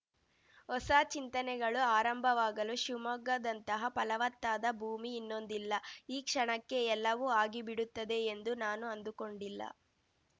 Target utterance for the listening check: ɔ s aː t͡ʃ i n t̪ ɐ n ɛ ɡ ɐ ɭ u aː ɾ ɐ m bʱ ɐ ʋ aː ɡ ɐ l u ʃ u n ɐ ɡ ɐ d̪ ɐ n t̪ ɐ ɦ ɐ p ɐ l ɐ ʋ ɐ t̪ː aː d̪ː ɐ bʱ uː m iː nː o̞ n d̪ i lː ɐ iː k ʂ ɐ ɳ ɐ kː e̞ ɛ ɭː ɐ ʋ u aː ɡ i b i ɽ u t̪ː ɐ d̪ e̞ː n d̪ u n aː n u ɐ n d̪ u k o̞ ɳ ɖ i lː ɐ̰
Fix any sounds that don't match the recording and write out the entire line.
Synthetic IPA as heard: ɔ s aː t͡ʃ i n t̪ ɐ n ɛ ɡ ɐ ɭ u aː ɾ ɐ m bʱ ɐ ʋ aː ɡ ɐ l u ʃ u m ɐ ɡ ɐ d̪ ɐ n t̪ ɐ ɦ ɐ p ɐ l ɐ ʋ ɐ t̪ː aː d̪ ɐ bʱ uː m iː nː o̞ n d̪ i lː ɐ iː k ʂ ɐ ɳ ɐ kː e̞ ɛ lː ɐ ʋ u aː ɡ i b i ɽ u t̪ː ɐ d̪ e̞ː n d̪ u n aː n u ɐ n d̪ u k o̞ ɳ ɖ i lː ɐ̰